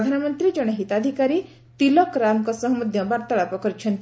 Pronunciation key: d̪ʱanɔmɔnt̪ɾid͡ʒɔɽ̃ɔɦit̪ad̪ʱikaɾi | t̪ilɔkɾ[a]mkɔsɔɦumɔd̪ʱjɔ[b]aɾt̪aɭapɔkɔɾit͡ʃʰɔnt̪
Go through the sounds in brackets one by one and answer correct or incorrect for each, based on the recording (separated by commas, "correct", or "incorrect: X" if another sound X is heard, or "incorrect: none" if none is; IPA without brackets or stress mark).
correct, correct